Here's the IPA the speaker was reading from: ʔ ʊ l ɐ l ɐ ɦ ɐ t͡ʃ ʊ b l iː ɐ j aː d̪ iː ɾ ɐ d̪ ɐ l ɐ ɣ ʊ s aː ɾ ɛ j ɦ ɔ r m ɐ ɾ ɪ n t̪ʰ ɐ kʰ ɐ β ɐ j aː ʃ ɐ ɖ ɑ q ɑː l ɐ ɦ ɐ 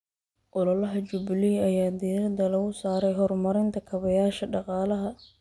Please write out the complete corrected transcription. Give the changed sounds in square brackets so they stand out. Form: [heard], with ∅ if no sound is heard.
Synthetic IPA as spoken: ʔ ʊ l ɐ l ɐ ɦ ɐ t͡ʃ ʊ b l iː ɐ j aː d̪ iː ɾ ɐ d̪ ɐ l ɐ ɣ ʊ s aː ɾ ɛ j ɦ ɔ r m ɐ ɾ ɪ n t̪ʰ ɐ kʰ ɐ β ɐ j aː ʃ ɐ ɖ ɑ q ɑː l ɐ ɦ ɐ